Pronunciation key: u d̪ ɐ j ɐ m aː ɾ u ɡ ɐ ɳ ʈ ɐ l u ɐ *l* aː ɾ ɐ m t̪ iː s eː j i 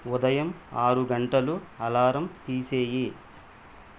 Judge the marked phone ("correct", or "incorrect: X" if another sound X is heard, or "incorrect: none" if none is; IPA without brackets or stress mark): correct